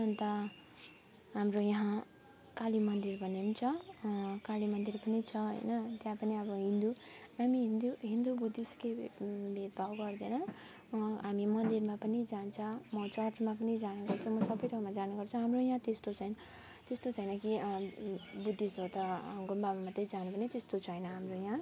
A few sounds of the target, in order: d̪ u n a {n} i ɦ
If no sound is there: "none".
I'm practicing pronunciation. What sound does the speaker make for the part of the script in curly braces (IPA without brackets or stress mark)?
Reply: m